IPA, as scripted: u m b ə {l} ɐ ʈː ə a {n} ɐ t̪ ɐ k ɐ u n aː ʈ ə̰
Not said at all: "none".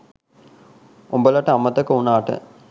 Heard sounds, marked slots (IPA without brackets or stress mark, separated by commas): l, m